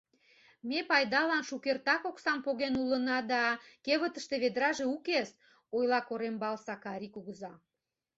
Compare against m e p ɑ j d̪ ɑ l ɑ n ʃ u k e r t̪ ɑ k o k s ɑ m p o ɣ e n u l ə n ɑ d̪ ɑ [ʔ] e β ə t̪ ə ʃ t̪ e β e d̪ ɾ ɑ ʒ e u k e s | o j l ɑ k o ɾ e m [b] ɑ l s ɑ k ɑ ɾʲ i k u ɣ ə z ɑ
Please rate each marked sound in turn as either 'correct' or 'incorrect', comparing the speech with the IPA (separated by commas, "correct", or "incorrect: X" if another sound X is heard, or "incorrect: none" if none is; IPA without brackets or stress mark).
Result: incorrect: k, correct